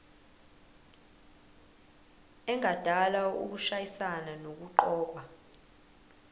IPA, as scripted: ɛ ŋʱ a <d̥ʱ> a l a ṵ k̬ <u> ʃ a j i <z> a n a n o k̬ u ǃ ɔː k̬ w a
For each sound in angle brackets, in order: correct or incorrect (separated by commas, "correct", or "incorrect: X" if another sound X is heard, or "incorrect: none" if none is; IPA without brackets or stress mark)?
correct, correct, incorrect: s